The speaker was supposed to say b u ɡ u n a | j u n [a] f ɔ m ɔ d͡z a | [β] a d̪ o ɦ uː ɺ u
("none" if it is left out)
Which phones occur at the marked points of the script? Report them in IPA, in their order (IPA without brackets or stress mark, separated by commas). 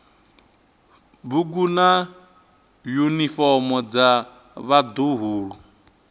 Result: i, β